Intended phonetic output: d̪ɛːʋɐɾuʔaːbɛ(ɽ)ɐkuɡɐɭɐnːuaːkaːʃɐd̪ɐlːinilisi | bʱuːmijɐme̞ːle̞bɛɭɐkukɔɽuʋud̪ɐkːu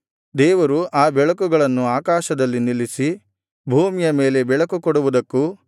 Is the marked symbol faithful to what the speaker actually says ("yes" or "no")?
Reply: no